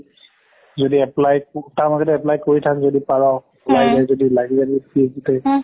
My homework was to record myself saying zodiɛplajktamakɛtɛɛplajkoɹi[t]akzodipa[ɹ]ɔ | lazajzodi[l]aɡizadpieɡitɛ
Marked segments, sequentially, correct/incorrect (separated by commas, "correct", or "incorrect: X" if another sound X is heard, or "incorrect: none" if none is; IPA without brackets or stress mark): incorrect: tʰ, correct, correct